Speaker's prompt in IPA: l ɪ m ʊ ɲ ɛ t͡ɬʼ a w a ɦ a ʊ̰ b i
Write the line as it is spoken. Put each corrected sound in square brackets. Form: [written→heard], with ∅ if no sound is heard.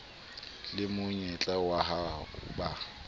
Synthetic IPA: l ɪ m ʊ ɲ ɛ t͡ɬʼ a w a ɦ a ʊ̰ b [i→a]